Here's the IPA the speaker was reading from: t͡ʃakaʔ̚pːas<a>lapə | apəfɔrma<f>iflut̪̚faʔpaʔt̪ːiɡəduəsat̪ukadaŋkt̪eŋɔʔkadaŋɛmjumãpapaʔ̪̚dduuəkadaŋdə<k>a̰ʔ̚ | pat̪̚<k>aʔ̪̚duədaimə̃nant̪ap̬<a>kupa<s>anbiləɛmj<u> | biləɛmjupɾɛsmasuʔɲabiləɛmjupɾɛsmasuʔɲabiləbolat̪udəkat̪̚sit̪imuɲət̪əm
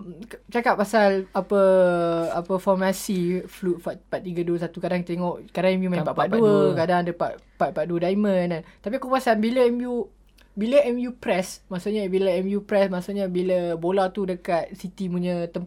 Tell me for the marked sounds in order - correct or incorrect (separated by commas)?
correct, incorrect, incorrect, incorrect, incorrect, correct, correct